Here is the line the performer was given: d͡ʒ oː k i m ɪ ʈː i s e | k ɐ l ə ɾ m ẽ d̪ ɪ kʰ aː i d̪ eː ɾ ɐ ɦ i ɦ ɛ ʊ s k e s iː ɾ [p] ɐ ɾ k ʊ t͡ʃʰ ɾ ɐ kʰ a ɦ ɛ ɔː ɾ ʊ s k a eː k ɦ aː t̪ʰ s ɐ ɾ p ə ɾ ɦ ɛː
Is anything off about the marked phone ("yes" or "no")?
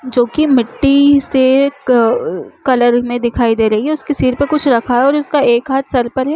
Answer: no